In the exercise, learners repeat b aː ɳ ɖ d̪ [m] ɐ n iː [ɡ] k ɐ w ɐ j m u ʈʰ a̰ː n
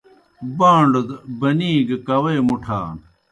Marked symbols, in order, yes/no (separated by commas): no, yes